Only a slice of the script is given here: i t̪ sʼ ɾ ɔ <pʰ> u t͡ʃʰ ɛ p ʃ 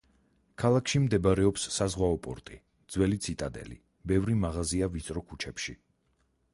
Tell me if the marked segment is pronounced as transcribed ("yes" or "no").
no